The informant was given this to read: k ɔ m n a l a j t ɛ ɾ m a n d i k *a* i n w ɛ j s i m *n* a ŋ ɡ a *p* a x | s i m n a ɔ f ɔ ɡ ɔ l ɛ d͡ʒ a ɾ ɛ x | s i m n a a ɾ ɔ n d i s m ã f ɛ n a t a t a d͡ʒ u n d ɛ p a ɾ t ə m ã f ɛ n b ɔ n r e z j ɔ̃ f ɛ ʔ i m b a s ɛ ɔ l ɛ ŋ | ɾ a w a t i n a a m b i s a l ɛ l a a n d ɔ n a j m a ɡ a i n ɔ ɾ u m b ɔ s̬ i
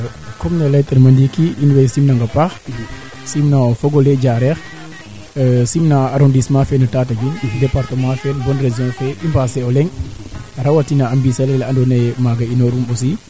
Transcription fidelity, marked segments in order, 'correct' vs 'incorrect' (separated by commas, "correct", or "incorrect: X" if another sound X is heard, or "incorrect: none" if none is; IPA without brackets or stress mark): incorrect: i, correct, correct